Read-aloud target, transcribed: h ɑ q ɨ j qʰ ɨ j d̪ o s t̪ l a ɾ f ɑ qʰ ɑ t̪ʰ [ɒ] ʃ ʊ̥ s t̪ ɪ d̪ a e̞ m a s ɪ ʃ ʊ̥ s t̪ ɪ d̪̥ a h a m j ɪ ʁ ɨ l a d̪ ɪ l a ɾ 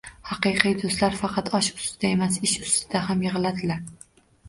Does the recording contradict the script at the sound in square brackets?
no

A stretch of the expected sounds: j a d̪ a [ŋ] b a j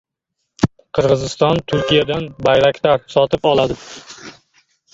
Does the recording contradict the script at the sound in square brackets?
yes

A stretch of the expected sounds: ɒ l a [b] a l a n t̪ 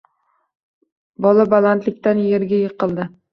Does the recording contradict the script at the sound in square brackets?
no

